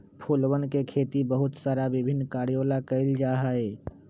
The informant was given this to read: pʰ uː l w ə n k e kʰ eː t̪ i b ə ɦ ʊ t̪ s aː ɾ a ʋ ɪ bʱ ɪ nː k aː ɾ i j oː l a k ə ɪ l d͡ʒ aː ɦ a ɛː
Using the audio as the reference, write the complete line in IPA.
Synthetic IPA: pʰ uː l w ə n k e kʰ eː t̪ i b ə ɦ ʊ t̪ s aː ɾ a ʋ ɪ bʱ ɪ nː k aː ɾ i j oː l a k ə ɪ l d͡ʒ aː ɦ a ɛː